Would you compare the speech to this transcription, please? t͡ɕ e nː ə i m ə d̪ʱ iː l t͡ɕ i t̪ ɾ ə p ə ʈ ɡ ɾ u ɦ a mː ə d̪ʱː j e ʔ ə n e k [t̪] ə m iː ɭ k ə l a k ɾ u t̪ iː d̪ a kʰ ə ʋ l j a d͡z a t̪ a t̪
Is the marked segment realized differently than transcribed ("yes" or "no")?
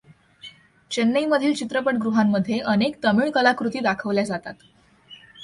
no